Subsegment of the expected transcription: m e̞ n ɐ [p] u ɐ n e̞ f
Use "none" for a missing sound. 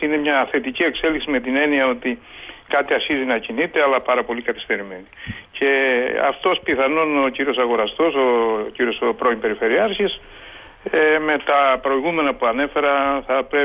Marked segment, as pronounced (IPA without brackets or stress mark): p